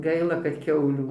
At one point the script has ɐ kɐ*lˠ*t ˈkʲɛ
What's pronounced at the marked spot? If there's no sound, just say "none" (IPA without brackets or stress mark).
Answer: none